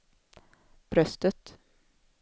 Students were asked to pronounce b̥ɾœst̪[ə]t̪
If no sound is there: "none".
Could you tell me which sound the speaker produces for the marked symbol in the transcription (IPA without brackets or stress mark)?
ə